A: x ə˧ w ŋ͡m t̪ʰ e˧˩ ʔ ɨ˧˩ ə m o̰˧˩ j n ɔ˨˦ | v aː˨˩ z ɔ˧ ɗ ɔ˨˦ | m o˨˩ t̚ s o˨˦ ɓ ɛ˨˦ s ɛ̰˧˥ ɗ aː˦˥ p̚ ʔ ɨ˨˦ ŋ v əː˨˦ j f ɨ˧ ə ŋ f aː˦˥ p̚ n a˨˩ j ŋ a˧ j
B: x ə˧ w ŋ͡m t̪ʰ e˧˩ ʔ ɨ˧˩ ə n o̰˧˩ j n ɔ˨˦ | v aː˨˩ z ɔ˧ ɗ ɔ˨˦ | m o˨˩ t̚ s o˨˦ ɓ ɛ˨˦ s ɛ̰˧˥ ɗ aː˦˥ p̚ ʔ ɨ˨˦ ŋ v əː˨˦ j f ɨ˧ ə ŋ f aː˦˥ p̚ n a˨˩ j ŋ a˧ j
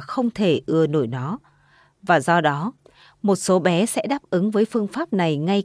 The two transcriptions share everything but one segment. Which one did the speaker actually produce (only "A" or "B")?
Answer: B